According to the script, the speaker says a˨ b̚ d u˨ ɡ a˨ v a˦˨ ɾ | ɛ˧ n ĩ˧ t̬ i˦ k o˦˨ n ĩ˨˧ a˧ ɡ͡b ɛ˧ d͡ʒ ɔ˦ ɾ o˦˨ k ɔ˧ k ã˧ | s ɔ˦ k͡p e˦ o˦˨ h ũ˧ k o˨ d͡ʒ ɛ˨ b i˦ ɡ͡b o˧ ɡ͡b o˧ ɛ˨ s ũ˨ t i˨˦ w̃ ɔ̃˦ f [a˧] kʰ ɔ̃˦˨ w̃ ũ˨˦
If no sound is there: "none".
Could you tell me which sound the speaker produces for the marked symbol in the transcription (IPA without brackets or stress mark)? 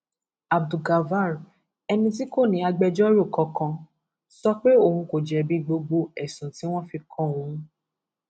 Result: i˧